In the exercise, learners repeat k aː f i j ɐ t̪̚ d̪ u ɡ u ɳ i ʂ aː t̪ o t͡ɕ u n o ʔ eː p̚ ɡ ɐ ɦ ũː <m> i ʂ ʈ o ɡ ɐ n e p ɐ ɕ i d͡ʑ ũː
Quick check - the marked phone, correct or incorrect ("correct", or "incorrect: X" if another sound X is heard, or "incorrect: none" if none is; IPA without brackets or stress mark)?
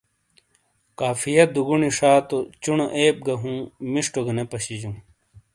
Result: correct